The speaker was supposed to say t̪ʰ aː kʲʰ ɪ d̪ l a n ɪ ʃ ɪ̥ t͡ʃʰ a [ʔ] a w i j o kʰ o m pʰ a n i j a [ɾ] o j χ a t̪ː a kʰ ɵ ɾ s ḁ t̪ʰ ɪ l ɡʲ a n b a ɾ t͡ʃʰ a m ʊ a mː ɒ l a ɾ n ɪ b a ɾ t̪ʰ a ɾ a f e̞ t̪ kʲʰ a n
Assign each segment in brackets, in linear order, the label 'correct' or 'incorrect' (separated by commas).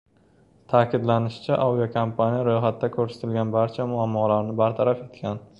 correct, correct